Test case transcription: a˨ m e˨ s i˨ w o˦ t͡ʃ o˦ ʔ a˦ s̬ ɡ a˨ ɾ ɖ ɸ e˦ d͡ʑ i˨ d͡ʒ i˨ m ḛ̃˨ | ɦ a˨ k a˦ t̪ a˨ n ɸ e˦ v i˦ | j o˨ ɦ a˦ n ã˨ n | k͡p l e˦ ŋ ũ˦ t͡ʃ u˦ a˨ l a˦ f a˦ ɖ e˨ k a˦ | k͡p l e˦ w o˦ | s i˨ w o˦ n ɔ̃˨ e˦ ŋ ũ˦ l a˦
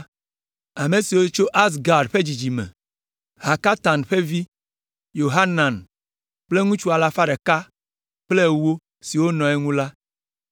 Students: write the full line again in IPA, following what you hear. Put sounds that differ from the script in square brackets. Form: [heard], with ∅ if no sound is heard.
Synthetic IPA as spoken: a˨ m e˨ s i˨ w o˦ t͡ʃ o˦ ʔ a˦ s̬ ɡ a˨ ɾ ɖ ɸ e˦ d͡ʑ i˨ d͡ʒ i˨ m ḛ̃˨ | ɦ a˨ k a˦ t̪ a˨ n ɸ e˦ v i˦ | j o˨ ɦ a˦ n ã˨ n | k͡p l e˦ ŋ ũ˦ t͡ʃ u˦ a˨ l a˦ f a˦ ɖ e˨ k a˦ | k͡p l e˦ w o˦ | s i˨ w o˦ n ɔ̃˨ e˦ ŋ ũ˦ l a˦